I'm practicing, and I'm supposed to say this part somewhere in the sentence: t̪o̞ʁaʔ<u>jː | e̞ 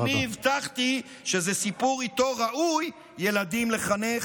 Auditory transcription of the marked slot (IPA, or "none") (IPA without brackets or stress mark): u